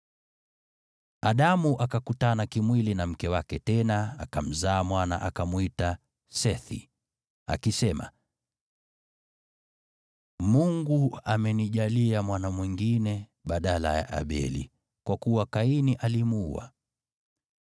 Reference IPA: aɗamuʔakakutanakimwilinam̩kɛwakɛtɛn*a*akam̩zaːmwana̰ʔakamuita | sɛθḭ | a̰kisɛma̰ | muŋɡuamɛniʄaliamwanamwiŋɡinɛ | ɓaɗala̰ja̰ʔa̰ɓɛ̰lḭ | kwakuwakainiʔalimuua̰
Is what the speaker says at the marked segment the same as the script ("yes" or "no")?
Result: yes